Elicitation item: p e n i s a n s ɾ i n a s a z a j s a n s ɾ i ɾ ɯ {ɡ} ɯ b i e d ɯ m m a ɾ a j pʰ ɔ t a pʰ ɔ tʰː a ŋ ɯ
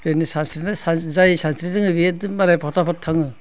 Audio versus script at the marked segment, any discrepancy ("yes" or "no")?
yes